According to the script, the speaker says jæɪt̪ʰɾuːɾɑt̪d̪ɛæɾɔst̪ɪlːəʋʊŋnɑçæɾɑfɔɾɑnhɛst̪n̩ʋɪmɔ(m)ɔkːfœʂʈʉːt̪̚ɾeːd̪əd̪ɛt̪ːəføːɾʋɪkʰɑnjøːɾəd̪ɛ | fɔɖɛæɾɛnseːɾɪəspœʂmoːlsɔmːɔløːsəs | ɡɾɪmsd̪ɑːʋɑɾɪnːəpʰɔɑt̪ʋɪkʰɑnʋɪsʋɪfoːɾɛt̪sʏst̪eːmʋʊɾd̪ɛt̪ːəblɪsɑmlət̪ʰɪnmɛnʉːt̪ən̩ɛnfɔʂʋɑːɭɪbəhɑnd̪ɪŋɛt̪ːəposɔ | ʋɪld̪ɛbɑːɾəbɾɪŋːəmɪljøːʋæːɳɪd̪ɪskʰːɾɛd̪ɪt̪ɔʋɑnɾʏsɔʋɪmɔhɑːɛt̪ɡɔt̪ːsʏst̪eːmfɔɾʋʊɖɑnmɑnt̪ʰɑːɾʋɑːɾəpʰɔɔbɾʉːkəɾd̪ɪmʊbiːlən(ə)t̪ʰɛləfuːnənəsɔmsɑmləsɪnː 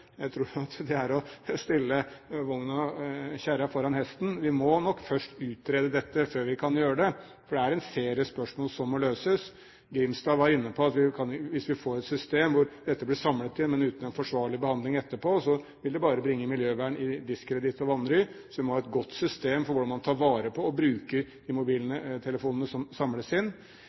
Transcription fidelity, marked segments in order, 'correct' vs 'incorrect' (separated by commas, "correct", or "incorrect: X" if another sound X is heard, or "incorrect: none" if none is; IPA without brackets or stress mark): incorrect: n, correct